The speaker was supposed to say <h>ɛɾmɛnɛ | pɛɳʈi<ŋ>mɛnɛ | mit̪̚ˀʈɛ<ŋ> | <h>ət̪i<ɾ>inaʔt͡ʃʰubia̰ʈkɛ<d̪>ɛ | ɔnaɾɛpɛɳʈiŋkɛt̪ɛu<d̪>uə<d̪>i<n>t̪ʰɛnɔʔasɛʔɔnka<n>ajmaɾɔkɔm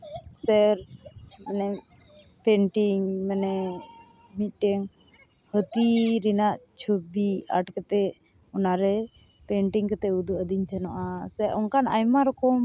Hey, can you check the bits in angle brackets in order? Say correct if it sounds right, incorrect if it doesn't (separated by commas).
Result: incorrect, correct, correct, correct, correct, incorrect, correct, correct, incorrect, correct